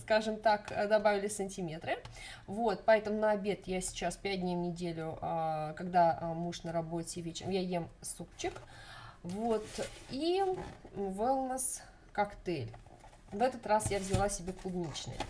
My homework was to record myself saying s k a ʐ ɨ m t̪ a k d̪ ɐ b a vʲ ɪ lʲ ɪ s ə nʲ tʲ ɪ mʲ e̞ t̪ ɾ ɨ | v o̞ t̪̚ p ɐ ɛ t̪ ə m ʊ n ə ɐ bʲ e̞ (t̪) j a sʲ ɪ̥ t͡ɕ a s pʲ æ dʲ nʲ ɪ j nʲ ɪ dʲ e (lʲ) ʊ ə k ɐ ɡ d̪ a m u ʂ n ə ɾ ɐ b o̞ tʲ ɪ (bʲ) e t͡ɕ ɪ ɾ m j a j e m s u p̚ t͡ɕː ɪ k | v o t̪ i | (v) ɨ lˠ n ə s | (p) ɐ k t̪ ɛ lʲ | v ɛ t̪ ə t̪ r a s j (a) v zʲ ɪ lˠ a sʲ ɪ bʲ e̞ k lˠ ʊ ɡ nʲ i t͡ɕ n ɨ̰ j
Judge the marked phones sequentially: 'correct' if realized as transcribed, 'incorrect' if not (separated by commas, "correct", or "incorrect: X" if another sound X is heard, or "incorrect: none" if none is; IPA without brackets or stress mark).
correct, correct, incorrect: vʲ, correct, incorrect: k, correct